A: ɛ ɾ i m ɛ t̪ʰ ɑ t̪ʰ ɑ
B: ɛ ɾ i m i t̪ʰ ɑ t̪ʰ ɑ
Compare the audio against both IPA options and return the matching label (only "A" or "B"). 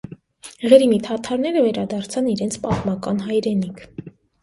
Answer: B